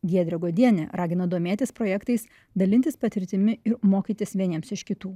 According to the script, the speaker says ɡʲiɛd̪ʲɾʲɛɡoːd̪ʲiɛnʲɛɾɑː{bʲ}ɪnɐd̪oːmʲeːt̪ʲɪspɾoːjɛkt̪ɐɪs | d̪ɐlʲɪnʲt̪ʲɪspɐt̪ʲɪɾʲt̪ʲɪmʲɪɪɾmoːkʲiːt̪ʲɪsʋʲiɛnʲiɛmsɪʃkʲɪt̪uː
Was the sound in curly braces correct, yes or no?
no